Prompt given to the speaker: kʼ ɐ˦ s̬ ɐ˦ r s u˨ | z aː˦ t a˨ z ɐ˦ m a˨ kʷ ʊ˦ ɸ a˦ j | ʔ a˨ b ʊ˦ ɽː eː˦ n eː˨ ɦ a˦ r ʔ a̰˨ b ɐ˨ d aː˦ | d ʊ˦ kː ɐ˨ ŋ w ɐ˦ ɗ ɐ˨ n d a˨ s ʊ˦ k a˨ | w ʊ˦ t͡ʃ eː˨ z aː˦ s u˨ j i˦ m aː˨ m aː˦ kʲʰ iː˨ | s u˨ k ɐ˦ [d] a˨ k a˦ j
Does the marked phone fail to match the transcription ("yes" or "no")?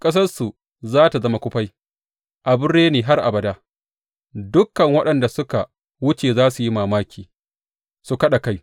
yes